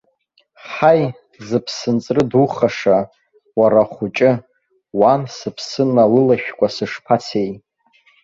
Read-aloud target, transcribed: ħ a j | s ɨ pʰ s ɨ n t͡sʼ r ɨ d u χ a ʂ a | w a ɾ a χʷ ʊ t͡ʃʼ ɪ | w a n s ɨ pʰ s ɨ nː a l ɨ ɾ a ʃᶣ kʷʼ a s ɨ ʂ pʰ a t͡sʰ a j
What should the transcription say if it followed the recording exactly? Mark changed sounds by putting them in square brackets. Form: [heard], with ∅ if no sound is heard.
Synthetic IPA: ħ a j | [z] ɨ pʰ s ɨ n t͡sʼ r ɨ d u χ a ʂ a | w a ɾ a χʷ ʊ t͡ʃʼ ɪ | w a n s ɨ pʰ s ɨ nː a l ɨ [l] a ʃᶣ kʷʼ a s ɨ ʂ pʰ a t͡sʰ [e] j